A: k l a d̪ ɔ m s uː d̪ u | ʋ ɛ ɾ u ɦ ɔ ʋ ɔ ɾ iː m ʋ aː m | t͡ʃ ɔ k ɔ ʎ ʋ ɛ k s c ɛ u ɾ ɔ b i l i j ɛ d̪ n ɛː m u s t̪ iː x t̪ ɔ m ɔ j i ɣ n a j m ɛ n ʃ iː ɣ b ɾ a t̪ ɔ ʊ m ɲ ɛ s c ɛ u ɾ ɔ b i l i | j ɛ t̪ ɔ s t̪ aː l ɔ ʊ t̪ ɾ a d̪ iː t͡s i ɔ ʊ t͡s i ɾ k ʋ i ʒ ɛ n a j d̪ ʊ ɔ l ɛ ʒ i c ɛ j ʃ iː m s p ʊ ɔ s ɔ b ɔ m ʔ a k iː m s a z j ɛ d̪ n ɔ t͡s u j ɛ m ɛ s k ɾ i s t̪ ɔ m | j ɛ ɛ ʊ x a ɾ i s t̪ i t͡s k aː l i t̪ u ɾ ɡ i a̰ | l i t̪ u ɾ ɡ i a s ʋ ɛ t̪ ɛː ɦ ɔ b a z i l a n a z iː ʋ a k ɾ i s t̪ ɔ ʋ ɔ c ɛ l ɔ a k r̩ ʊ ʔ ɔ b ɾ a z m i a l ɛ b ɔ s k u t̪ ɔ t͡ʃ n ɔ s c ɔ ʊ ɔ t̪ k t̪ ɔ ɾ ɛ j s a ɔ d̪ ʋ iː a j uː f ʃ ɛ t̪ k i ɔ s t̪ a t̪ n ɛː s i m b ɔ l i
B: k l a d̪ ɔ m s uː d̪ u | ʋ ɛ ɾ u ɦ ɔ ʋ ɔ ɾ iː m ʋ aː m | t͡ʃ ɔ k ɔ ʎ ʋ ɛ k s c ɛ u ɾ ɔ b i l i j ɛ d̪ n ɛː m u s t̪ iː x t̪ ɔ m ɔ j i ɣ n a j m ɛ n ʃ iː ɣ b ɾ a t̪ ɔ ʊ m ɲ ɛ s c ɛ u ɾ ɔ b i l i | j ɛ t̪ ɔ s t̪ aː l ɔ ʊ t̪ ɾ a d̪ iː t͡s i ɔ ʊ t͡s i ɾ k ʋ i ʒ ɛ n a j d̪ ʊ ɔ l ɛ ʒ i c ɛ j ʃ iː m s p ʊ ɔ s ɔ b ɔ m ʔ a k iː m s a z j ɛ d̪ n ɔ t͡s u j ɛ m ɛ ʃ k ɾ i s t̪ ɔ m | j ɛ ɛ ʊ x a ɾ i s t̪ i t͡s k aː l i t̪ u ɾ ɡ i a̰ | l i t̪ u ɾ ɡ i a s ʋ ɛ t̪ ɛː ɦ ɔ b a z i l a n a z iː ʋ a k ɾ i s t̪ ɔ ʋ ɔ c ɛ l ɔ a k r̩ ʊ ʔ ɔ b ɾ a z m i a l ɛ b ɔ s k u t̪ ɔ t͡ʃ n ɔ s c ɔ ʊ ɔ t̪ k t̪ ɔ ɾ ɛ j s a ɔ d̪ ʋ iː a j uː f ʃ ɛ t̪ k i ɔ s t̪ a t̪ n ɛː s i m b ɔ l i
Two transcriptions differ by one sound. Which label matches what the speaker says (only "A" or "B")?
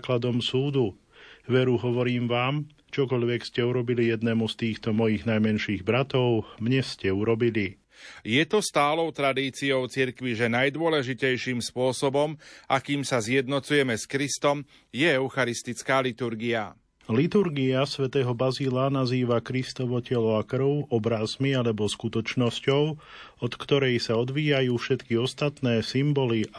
A